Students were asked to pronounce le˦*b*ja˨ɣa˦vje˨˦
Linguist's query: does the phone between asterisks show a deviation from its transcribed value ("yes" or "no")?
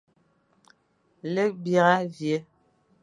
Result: no